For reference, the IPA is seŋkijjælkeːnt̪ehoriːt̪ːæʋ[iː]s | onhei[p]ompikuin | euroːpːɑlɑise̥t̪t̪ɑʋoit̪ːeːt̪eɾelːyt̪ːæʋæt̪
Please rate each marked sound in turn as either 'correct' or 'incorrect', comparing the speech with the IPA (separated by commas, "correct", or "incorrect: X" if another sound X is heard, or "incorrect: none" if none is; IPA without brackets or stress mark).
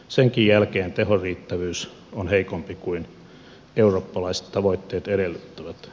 incorrect: yː, incorrect: k